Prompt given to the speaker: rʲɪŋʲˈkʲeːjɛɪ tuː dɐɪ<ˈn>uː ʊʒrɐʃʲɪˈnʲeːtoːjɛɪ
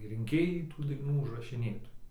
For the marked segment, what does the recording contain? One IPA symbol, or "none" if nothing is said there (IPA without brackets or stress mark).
n